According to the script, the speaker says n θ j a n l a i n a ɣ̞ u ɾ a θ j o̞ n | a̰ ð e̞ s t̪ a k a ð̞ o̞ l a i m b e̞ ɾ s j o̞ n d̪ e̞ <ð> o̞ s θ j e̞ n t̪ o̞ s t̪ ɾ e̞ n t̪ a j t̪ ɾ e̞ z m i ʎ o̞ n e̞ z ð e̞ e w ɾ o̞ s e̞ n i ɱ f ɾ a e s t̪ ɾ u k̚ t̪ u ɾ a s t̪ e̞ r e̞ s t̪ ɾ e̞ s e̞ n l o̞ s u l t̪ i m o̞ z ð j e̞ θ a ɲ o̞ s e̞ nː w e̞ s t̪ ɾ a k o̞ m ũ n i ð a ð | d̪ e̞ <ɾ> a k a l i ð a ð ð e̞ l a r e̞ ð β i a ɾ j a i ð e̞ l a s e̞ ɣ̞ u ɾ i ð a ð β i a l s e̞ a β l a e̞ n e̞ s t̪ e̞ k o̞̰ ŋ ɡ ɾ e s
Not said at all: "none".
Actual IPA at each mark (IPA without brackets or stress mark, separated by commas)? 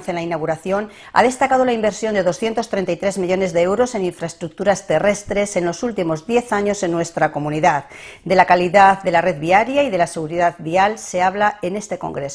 ð, l